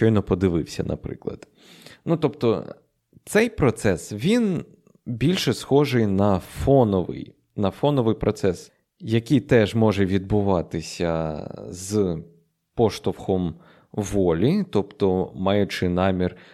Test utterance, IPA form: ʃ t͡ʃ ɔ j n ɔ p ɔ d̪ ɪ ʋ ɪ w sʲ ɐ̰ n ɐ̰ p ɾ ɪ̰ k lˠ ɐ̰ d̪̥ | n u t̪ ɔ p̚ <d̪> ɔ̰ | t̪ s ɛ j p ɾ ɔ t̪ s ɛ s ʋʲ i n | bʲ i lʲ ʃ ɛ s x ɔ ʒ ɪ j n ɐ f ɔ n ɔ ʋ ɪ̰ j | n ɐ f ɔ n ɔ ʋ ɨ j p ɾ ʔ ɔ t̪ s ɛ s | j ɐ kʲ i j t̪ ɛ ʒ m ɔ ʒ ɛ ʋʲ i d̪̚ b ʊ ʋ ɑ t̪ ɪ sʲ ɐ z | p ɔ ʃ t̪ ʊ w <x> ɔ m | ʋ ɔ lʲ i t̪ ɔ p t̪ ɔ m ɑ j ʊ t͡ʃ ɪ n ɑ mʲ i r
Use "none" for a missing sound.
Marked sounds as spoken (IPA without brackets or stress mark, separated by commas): t̪, x